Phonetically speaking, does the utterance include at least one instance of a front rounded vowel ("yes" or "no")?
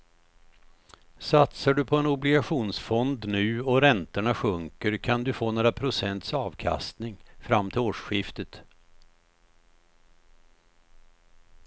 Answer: no